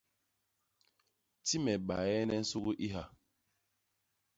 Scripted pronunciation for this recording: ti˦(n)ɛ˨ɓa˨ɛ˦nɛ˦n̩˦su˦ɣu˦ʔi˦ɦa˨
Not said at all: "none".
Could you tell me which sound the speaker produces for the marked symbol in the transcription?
m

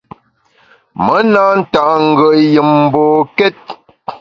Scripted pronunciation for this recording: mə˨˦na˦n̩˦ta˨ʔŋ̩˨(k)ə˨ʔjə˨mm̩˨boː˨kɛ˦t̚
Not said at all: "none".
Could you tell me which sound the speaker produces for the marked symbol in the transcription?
ɡ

